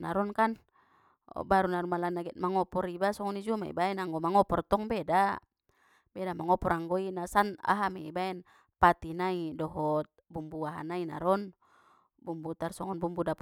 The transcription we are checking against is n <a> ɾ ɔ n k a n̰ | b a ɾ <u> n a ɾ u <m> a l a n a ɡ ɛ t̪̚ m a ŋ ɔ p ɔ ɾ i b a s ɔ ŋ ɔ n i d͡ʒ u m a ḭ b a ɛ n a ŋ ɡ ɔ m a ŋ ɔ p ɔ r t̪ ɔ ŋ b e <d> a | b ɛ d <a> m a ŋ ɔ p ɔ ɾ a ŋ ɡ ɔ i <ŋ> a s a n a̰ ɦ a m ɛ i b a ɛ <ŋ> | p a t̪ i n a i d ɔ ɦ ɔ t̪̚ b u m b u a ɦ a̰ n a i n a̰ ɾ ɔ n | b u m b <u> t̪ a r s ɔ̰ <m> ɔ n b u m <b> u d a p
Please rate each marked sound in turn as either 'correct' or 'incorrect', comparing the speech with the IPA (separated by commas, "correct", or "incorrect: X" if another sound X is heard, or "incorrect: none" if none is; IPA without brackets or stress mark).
correct, correct, correct, correct, correct, incorrect: n, incorrect: n, correct, incorrect: ŋ, correct